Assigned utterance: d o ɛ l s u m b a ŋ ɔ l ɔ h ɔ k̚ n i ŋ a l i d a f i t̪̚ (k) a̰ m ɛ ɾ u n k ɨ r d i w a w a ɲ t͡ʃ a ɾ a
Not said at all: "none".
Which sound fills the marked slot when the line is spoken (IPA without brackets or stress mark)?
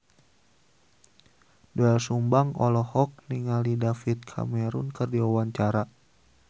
kʰ